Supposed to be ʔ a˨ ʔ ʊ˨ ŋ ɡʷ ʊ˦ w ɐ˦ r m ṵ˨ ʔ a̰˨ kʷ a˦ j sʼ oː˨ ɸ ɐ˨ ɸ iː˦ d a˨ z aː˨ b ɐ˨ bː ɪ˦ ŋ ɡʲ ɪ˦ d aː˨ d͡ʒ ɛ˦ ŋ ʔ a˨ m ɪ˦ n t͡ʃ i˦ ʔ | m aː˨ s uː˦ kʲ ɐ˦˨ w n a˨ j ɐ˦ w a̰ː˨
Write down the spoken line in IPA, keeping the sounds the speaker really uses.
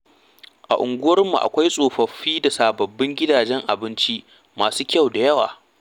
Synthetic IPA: ʔ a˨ ʔ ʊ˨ ŋ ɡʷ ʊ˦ w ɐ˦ r m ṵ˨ ʔ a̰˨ kʷ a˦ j sʼ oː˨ ɸ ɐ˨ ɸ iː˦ d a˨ s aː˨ b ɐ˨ bː ɪ˦ ŋ ɡʲ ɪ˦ d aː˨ d͡ʒ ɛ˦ ŋ ʔ a˨ b ɪ˦ n t͡ʃ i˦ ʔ | m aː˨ s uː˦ kʲ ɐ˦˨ w d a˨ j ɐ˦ w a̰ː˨